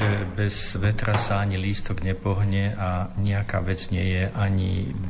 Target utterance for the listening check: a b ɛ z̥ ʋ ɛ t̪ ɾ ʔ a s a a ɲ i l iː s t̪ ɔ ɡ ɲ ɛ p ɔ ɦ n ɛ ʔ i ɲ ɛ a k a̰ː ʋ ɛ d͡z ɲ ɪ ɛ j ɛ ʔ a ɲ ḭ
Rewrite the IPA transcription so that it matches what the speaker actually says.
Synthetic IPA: ɛ b ɛ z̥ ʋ ɛ t̪ ɾ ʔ a s a a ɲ i l iː s t̪ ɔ ɡ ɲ ɛ p ɔ ɦ ɲ ɛ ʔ a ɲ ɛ a k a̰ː ʋ ɛ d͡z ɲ ɪ ɛ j ɛ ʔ a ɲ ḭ